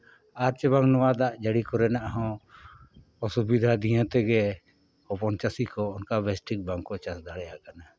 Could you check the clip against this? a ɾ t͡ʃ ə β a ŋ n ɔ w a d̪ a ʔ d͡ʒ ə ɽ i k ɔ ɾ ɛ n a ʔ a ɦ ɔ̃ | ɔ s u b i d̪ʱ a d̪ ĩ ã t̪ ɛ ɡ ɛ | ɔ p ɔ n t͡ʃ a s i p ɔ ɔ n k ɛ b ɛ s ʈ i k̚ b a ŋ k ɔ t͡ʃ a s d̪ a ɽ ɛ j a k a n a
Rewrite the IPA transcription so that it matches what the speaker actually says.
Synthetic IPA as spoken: a ɾ t͡ʃ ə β a ŋ n ɔ w a d̪ a ʔ d͡ʒ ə ɽ i k ɔ ɾ ɛ n a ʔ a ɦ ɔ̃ | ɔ s u b i d̪ʱ a d̪ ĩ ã t̪ ɛ ɡ ɛ | ɔ p ɔ n t͡ʃ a s i k ɔ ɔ n k a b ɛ s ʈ i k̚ b a ŋ k ɔ t͡ʃ a s d̪ a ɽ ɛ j a k a n a